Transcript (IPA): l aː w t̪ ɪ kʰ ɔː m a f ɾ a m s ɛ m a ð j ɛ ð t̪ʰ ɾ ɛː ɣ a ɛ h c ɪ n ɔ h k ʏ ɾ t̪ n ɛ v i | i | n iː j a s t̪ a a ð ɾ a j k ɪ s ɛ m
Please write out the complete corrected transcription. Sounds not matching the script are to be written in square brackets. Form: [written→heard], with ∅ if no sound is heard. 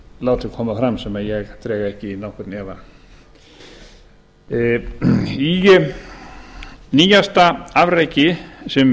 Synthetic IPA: l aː w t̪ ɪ kʰ ɔː m a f ɾ a m s ɛ m a ð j ɛ [ð→ɣ] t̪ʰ ɾ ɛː ɣ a ɛ h c ɪ n ɔ h k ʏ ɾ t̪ n ɛ v [i→a] | i | n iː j a s t̪ a a [ð→v] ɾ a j [k→c] ɪ s ɛ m